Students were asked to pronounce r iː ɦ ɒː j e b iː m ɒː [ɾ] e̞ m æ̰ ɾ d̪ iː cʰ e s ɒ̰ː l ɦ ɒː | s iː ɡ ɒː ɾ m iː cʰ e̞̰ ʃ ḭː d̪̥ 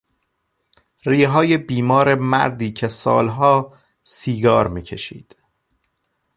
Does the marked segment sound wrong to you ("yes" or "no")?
no